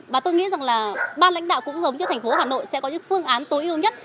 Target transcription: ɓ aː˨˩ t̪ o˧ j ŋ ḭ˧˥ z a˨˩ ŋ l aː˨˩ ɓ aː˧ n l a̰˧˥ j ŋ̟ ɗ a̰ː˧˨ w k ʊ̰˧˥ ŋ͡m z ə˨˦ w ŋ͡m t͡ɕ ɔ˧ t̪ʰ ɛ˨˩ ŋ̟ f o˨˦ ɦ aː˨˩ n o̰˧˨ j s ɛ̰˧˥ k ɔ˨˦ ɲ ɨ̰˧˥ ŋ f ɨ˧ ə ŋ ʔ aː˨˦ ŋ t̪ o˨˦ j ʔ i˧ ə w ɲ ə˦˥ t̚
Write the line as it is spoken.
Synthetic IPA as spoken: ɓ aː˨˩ t̪ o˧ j ŋ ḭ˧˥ z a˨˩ ŋ l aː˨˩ ɓ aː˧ n l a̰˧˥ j ŋ̟ ɗ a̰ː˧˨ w k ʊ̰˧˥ ŋ͡m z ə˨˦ w ŋ͡m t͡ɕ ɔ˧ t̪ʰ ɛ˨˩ ŋ̟ f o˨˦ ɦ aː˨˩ n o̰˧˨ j s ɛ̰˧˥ k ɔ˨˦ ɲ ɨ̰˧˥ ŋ f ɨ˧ ə ŋ ʔ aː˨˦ n t̪ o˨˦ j ʔ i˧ ə w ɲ ə˦˥ t̚